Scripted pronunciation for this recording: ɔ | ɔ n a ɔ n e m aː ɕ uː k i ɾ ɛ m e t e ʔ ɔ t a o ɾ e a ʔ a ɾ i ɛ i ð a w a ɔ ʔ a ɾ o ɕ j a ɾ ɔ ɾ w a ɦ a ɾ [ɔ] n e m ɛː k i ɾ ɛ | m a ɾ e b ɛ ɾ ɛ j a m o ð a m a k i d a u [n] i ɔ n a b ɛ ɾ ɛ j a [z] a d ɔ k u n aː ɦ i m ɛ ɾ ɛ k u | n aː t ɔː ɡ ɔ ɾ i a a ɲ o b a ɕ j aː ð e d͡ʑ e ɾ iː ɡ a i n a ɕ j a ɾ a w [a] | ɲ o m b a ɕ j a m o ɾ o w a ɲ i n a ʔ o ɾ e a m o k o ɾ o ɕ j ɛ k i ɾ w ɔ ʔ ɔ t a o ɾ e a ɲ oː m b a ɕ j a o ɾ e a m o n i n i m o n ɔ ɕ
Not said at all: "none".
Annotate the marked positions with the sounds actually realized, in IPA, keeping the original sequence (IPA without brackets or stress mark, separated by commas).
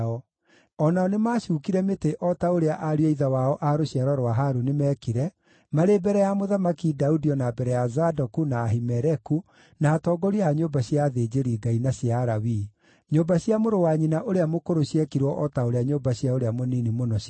u, d, z, i